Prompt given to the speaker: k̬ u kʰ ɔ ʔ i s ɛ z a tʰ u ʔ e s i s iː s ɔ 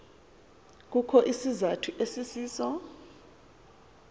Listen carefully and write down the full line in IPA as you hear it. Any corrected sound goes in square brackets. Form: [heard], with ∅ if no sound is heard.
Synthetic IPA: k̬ u kʰ ɔ ʔ i s [i] z a tʰ u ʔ e s i s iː s ɔ